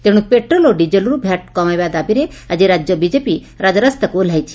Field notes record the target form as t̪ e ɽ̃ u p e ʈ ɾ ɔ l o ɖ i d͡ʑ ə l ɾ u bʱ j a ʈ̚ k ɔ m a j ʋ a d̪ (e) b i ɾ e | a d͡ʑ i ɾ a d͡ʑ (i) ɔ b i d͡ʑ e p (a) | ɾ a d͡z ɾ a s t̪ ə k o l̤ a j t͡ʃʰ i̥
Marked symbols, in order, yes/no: no, no, no

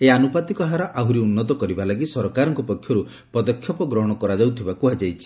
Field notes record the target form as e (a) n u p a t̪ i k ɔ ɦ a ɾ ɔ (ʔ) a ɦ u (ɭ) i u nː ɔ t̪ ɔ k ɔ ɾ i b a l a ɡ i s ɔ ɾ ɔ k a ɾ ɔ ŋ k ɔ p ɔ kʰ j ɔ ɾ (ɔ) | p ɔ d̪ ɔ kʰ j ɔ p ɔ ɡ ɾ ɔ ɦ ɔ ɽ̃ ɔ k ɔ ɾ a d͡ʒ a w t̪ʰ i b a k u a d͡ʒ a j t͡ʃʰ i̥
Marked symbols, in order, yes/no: yes, yes, no, no

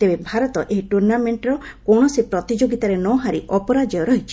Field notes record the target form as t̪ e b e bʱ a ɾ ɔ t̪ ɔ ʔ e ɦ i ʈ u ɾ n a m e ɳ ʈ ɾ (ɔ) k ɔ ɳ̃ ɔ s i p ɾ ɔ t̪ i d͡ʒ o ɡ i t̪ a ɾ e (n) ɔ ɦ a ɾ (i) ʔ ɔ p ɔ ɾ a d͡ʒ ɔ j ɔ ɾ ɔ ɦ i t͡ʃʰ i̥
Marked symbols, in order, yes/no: yes, yes, yes

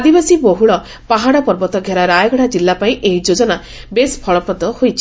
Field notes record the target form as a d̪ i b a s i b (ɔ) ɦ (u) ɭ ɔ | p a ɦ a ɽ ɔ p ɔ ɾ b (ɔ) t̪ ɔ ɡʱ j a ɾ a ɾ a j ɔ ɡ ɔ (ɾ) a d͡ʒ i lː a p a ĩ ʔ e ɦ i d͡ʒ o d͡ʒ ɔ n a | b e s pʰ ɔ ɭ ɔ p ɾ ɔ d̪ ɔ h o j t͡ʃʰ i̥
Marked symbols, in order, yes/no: no, yes, yes, no

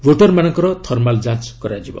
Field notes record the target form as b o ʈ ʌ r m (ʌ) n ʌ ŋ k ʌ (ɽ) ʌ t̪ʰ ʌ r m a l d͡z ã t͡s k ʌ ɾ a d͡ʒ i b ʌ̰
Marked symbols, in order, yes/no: no, no

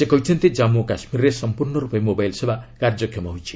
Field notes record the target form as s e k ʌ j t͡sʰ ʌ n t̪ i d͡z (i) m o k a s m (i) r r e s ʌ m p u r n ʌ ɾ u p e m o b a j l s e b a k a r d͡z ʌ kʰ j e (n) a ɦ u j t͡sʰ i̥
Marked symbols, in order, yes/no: no, yes, no

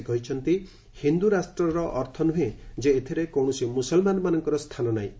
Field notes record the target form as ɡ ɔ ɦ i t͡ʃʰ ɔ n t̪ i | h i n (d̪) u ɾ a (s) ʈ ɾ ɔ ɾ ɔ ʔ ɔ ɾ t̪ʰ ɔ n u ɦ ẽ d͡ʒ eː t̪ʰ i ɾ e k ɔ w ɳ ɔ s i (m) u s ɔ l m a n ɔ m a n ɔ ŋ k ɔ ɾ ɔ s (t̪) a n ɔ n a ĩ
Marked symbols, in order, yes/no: yes, yes, yes, no

